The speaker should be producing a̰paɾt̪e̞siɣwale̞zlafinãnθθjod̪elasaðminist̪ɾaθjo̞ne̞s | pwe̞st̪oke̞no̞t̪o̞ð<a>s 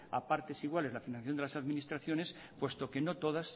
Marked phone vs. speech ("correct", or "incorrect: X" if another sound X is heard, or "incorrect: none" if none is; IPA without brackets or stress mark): correct